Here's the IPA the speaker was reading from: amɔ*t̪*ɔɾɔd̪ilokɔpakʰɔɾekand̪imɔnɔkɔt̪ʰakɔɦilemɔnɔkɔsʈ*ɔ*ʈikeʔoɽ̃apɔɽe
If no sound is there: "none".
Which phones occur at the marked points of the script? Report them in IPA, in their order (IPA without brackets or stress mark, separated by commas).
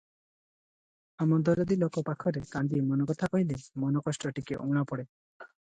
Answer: d̪, ɔ